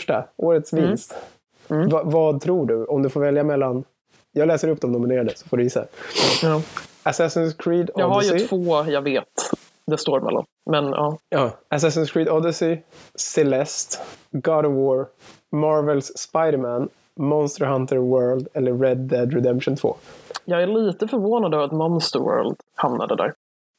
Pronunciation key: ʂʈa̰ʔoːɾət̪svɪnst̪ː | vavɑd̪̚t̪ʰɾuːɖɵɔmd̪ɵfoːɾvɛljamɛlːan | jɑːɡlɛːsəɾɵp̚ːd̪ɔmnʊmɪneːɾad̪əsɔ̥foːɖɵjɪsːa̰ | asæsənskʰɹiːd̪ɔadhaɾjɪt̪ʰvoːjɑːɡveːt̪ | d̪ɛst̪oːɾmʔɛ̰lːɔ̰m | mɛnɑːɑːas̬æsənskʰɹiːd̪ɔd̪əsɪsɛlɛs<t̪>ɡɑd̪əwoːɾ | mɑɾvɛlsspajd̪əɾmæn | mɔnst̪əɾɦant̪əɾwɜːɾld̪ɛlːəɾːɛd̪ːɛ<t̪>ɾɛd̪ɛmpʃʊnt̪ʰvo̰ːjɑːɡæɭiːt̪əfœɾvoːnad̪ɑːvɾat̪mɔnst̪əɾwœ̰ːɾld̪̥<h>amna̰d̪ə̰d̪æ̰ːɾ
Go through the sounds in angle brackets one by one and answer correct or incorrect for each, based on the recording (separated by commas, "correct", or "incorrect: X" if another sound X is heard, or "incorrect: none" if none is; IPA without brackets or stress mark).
correct, incorrect: d̪, correct